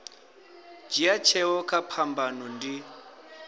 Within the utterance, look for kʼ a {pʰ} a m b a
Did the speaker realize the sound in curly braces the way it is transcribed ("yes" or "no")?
yes